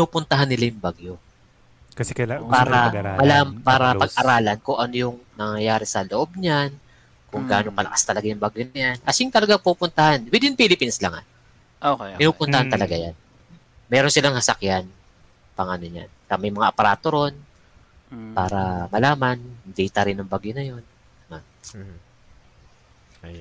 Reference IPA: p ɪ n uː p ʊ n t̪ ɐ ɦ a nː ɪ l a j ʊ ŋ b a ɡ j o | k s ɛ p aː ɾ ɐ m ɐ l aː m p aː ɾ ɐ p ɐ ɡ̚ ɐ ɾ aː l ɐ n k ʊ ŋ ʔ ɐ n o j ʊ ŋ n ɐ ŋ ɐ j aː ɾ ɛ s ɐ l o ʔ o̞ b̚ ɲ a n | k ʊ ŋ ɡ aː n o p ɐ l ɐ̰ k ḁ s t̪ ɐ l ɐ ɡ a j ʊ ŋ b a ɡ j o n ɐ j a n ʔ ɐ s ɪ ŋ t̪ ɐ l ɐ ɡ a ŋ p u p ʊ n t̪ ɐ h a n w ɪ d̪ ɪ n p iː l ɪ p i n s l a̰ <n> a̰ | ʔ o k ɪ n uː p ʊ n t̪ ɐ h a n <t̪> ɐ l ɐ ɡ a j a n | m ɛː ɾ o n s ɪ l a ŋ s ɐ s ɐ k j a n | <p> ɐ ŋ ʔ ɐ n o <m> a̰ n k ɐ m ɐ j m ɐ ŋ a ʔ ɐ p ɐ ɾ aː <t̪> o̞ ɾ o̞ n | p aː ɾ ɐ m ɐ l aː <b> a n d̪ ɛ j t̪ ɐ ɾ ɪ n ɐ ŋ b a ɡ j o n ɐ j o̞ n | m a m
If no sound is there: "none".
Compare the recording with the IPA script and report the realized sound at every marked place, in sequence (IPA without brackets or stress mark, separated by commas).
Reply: ŋ, t̪, p, ɲ, t̪, m